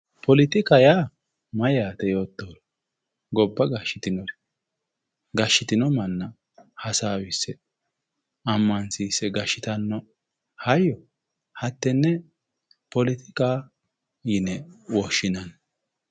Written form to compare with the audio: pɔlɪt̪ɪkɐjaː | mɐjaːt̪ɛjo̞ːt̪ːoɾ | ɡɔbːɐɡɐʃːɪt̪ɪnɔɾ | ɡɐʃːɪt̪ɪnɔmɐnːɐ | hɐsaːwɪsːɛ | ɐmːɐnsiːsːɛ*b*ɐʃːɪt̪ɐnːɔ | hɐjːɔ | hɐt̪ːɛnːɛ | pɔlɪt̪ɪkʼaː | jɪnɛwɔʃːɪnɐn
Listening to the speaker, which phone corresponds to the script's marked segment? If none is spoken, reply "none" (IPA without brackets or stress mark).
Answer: ɡ